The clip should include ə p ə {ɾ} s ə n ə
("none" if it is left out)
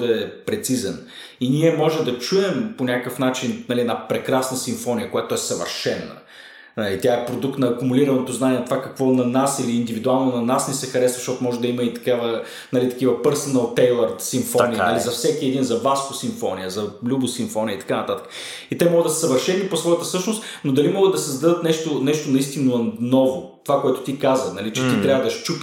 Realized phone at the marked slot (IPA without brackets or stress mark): ɾ